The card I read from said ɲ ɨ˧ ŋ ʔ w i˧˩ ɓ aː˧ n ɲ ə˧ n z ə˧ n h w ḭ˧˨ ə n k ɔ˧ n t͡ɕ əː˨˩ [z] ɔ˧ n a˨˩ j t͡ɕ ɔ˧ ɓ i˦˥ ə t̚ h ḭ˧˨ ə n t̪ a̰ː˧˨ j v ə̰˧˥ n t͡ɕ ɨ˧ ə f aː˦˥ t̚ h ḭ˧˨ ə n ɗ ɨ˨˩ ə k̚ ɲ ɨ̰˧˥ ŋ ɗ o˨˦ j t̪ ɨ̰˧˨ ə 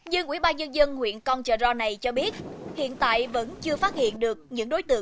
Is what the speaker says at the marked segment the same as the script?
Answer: yes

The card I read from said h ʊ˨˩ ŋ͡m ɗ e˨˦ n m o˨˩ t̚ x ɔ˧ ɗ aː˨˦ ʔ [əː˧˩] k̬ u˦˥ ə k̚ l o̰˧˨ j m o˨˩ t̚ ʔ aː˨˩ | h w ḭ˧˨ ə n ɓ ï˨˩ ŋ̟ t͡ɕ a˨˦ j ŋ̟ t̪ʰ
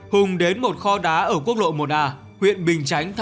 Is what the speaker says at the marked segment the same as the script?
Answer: yes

